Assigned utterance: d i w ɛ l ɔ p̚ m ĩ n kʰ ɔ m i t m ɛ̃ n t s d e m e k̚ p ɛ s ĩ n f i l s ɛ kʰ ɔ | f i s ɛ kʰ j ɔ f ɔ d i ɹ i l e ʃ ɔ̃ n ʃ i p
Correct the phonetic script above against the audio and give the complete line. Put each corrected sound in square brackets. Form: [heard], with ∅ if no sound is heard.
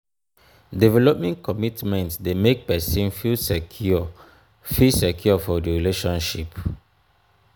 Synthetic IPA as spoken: d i [v] ɛ l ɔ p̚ m [ɛ̃] n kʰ ɔ m i t m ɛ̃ n t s d e m e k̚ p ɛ s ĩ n f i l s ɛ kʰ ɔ | f i s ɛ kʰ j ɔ f ɔ d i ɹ i l e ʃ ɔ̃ n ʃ i p